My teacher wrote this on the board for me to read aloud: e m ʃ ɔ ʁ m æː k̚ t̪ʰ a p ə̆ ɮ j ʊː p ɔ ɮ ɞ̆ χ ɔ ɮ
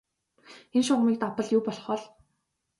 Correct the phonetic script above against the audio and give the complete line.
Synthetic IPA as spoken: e n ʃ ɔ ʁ m iː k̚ t̪ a p ə̆ ɮ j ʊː p ɔ ɮ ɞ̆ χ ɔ ɮ

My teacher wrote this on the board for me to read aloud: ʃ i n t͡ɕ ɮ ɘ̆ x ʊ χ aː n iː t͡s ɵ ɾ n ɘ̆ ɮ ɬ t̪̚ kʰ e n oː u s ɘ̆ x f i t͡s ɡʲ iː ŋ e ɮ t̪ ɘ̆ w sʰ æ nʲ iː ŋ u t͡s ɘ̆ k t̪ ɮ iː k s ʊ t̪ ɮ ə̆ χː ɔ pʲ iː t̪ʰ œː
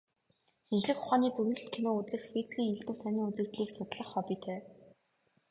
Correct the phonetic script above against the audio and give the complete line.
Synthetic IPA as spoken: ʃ i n t͡ɕ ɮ ɘ̆ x ʊ χ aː n iː t͡s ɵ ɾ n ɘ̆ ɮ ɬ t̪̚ kʰ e n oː u t͡s ɘ̆ x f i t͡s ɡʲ iː ŋ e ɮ t̪ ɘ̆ w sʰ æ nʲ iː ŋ u t͡s ɘ̆ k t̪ ɮ iː k s ʊ t̪ ɮ ə̆ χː ɔ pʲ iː t̪ʰ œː

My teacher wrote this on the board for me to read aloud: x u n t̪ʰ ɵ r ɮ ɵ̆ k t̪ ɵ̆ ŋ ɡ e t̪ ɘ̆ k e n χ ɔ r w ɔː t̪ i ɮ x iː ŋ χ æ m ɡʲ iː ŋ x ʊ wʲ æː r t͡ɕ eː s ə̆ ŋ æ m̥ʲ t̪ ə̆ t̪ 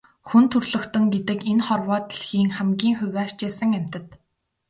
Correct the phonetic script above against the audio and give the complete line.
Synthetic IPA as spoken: x u n t̪ʰ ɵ r ɮ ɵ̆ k t̪ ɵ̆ ŋ ɡ e t̪ ɘ̆ k e n χ ɔ r w ɔː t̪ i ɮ x iː ŋ χ æ m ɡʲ iː ŋ x ʊ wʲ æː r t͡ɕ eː s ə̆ ŋ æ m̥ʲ t̪ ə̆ t̪

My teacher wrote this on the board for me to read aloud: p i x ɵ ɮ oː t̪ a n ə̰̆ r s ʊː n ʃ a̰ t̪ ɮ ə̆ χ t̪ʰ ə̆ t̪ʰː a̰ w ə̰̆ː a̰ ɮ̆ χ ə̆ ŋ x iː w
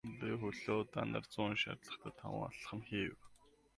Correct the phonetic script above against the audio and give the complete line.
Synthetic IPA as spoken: p i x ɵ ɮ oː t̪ a n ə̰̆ r t͡s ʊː n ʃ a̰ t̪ ɮ ə̆ χ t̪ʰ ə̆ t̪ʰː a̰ w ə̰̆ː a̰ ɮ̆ χ ə̆ m x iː w

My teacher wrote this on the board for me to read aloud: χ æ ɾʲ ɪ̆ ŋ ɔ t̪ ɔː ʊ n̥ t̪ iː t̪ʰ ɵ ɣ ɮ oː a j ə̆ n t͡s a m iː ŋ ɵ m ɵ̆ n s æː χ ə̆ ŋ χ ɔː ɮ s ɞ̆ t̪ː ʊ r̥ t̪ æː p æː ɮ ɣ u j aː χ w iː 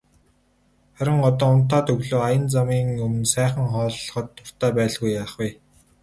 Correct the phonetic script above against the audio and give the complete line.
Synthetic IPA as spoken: χ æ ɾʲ ɪ̆ ŋ ɔ t̪ ɔː ʊ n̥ t̪ aː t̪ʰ ɵ ɣ ɮ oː a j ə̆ n t͡s a m iː ŋ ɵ m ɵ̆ n s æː χ ə̆ ŋ χ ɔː ɮ χ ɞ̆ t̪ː ʊ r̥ t̪ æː p æː ɮ ɣ u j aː χ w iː

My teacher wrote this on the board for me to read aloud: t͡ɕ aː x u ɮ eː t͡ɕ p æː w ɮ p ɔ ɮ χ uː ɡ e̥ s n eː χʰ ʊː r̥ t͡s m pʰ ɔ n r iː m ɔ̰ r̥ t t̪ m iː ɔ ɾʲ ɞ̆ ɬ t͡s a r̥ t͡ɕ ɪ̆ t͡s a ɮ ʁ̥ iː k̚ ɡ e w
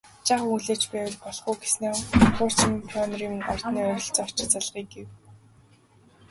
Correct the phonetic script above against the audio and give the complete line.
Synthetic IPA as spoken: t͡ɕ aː χ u ɮ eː t͡ɕ p æː w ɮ p ɔ ɮ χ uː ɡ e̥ s n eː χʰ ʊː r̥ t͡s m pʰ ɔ n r iː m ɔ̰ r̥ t t̪ n iː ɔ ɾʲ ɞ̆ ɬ t͡s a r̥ t͡ɕ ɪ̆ t͡s a ɮ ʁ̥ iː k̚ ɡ e w

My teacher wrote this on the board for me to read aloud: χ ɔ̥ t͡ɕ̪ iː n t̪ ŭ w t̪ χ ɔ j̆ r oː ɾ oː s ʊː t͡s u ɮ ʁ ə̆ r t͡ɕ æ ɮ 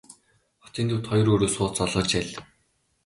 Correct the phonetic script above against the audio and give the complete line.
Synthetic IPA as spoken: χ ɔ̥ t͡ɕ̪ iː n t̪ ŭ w t̪ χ ɔ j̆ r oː ɾ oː s ʊː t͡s ɔ ɮ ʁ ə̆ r t͡ɕ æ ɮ

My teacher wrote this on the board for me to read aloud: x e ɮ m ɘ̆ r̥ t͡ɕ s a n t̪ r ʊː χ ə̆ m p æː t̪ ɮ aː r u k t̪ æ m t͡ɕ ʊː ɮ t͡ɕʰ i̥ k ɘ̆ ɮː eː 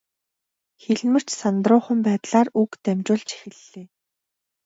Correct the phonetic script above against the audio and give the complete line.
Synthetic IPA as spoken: x e ɮ m ɘ̆ r̥ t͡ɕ s a n t̪ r ʊː χ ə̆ m p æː t̪ ɮ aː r u k t̪ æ m t͡ɕ ʊː ɮ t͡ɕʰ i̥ x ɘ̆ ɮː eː

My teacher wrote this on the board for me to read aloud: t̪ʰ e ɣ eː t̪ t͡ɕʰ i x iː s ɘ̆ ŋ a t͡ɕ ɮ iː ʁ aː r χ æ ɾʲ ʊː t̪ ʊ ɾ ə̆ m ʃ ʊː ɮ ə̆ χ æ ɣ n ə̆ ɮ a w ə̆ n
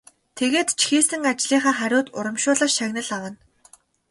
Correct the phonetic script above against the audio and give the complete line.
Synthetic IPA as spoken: t̪ʰ e ɣ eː t̪ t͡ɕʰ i x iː s ɘ̆ ŋ a t͡ɕ ɮ iː χ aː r χ æ ɾʲ ʊː t̪ ʊ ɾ ə̆ m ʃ ʊː ɮ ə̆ ʃ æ ɣ n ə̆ ɮ a w ə̆ n

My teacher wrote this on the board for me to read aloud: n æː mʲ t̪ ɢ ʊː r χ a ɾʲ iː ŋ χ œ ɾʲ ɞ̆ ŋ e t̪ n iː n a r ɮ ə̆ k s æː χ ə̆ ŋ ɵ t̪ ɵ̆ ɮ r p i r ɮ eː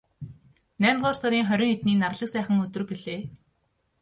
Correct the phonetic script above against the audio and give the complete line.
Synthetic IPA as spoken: n æː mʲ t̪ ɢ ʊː r s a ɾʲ iː ŋ χ œ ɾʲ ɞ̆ ŋ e t̪ n iː n a r ɮ ə̆ k s æː χ ə̆ ŋ ɵ t̪ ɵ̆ r p i ɮ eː

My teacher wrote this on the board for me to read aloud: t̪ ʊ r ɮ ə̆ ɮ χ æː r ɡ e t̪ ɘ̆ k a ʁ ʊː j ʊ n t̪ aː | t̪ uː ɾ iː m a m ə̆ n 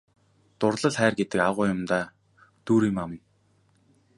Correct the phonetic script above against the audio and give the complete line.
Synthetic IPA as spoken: t̪ ʊ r ɮ ə̆ ɮ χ æː r ɡ e t̪ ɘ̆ k a ʁ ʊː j ʊ m t̪ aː | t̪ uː ɾ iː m a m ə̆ n

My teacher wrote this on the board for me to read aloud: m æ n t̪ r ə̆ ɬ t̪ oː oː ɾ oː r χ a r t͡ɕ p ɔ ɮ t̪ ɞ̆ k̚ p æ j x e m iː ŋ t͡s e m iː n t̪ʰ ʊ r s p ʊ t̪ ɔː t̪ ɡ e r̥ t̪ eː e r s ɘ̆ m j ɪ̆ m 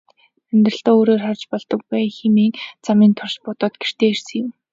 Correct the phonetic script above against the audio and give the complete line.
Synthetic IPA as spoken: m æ n t̪ r ə̆ ɬ t̪ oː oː ɾ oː r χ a r t͡ɕ p ɔ ɮ t̪ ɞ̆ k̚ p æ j x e m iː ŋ t͡s a m iː n t̪ʰ ʊ r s p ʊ t̪ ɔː t̪ ɡ e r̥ t̪ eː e r s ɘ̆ ŋ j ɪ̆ m

